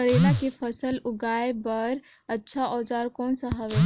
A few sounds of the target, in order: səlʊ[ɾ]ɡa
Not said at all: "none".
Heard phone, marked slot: none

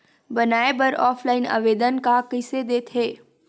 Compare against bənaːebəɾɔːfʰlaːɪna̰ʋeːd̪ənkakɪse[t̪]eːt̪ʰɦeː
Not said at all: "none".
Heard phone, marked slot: d̪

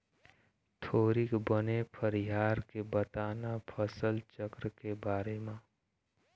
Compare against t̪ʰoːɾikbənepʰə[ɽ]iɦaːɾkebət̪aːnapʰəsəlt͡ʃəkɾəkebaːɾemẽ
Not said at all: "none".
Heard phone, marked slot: ɾ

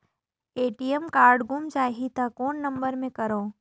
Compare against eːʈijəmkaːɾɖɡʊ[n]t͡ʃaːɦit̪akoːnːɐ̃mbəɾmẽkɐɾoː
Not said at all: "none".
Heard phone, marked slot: m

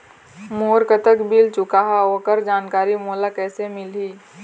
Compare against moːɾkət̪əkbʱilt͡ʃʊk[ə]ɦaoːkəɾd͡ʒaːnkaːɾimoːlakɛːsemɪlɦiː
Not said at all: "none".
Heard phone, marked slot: a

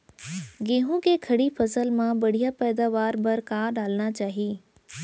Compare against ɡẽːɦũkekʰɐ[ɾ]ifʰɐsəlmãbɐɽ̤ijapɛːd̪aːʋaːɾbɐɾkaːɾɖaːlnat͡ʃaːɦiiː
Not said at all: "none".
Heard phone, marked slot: ɽ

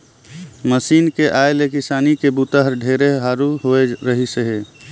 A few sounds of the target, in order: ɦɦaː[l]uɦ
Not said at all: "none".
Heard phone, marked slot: ɾ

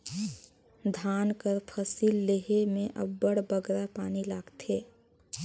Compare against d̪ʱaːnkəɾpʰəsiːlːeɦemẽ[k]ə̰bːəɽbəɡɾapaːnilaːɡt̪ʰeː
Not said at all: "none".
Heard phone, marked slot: ʔ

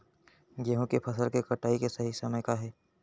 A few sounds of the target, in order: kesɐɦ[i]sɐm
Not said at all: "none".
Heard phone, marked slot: i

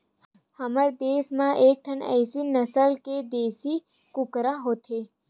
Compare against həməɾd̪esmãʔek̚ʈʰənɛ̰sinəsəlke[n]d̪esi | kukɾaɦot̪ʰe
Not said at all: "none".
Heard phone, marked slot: none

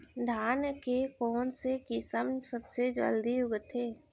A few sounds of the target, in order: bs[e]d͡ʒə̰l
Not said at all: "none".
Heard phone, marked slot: e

